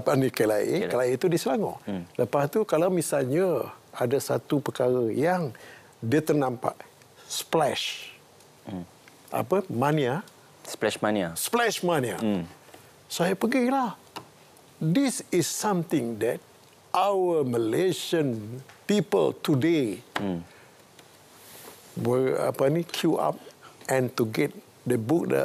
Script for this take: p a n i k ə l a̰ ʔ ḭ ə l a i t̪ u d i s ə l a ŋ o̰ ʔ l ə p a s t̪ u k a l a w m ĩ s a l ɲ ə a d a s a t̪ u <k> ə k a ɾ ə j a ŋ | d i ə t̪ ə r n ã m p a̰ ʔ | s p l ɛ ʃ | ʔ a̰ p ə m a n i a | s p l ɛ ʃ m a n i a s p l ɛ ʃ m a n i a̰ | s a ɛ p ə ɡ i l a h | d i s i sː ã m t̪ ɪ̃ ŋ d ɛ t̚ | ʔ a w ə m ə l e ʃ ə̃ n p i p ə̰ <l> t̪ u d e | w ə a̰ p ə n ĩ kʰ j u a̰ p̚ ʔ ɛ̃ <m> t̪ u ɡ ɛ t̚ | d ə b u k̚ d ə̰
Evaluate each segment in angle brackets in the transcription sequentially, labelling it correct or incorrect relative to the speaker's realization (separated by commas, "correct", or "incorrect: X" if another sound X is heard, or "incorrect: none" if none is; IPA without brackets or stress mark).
incorrect: p, correct, incorrect: n